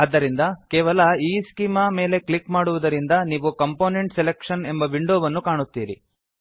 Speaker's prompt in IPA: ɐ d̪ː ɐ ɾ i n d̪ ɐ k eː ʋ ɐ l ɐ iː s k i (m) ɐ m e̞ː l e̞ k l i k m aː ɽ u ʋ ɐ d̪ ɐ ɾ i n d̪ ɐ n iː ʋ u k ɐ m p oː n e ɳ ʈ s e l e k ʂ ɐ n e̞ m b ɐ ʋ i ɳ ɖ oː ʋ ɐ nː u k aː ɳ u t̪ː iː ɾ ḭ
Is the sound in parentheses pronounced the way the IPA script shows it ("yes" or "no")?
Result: yes